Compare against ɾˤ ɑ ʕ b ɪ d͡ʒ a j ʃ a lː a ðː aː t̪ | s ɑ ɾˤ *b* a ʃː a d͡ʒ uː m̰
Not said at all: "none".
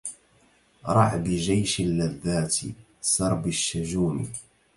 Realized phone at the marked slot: b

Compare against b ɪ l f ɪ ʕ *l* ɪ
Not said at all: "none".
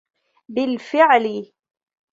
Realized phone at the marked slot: l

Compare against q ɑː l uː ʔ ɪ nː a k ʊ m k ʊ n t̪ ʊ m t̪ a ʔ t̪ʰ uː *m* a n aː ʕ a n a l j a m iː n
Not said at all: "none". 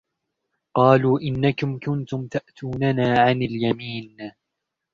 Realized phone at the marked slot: n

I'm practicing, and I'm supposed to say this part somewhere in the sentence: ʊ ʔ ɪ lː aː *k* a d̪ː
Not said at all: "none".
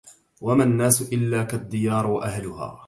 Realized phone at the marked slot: k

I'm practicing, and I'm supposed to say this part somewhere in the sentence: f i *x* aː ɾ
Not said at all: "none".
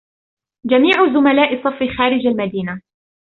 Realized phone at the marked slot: x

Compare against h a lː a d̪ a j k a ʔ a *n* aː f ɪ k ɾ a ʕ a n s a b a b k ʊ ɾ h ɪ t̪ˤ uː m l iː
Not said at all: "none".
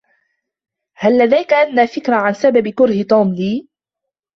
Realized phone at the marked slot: nː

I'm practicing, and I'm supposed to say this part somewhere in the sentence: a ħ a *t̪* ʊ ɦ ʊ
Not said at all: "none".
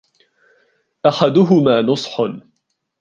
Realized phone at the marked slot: d̪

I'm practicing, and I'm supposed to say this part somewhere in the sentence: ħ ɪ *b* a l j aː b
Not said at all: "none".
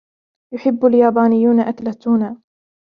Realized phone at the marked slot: bː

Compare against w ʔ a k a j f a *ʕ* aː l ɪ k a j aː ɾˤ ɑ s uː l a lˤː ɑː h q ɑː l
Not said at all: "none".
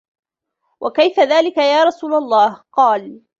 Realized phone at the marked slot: ð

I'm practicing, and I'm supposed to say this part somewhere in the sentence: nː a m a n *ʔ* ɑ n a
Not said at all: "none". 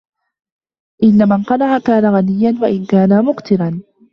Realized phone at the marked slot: q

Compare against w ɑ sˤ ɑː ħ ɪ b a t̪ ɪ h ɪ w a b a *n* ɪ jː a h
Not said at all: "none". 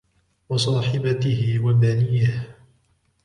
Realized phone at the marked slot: n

